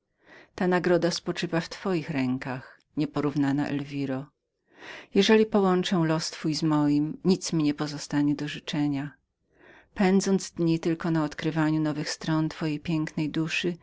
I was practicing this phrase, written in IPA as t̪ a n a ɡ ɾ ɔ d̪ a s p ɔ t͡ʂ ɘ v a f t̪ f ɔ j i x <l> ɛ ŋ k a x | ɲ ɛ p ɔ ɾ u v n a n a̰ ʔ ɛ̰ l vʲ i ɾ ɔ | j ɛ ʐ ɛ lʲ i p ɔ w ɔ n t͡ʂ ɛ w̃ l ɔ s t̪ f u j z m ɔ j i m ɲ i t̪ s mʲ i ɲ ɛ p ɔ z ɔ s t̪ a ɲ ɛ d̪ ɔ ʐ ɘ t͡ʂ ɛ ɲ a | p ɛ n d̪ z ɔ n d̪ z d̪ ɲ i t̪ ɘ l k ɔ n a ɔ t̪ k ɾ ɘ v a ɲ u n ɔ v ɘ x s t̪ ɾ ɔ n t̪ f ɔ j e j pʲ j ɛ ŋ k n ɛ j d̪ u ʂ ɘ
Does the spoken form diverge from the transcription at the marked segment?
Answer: yes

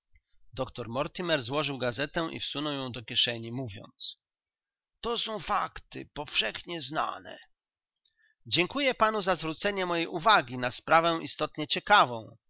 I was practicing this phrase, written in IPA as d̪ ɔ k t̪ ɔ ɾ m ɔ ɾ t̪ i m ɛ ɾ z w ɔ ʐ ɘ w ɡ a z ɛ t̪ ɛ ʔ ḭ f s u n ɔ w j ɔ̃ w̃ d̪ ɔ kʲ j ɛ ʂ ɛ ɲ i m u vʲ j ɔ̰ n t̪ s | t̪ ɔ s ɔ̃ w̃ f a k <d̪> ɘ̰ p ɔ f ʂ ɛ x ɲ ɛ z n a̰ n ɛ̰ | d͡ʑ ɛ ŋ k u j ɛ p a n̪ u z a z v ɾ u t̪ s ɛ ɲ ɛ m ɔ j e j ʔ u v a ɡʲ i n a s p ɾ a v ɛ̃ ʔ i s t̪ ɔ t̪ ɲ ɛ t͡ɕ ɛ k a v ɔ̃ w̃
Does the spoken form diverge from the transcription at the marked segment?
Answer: yes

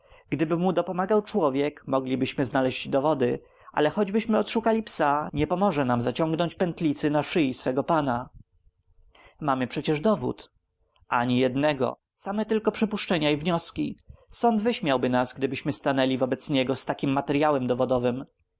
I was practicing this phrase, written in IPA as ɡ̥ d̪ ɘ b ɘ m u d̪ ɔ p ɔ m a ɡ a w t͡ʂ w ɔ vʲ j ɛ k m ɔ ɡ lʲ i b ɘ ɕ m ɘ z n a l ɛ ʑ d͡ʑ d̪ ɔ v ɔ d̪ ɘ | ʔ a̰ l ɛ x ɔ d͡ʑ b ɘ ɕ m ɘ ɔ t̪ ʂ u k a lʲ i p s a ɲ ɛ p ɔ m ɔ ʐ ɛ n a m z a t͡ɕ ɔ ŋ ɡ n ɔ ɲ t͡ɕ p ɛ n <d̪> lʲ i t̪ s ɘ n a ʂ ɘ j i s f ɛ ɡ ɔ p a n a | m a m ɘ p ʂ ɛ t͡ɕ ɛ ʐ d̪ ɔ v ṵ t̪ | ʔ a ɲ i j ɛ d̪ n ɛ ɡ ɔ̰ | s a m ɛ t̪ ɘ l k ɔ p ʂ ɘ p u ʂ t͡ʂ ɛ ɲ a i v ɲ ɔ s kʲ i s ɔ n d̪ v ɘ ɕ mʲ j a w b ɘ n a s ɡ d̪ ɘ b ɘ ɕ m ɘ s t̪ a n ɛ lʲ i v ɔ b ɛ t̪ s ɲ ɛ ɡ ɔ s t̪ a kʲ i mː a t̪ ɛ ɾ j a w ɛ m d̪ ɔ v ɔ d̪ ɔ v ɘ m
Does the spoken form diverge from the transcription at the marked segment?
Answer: yes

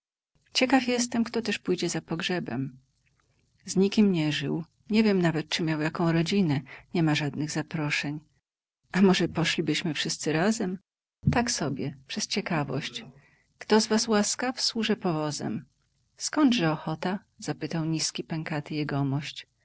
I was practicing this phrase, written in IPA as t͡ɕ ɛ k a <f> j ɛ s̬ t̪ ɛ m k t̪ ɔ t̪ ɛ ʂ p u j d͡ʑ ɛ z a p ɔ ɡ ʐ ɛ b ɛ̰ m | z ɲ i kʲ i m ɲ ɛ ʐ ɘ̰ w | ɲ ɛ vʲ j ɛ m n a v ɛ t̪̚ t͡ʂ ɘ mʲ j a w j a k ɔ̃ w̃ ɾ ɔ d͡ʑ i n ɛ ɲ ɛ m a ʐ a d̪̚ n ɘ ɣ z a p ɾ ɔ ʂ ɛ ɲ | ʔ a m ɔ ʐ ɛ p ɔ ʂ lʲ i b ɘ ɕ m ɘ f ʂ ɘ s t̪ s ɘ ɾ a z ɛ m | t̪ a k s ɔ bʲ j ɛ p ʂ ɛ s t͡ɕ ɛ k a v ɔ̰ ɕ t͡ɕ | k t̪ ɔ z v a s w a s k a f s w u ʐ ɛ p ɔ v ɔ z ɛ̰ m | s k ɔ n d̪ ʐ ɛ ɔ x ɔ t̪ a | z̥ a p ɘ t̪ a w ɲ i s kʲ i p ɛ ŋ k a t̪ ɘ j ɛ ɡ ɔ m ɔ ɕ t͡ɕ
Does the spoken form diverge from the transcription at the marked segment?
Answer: no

